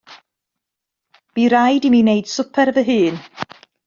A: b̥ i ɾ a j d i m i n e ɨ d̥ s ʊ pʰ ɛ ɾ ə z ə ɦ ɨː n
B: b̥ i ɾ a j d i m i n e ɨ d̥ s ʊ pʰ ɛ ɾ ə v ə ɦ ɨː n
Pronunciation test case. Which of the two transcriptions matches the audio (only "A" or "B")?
B